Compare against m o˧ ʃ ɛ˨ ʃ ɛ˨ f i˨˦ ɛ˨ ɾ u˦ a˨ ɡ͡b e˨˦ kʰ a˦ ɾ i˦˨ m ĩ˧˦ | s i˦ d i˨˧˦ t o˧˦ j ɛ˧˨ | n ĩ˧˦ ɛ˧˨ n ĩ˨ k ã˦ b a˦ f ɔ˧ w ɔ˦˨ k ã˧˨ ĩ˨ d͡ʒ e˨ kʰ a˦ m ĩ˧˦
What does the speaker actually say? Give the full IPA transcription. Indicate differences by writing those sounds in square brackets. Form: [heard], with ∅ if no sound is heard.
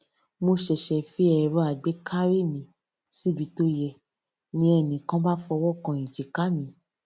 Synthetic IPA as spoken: m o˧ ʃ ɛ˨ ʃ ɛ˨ f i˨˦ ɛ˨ ɾ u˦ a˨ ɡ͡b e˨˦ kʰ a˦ ɾ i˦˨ m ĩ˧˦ | s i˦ [b] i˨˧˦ t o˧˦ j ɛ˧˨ | n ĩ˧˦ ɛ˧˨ n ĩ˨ k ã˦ b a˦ f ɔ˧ w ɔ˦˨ k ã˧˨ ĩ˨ d͡ʒ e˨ [k] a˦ m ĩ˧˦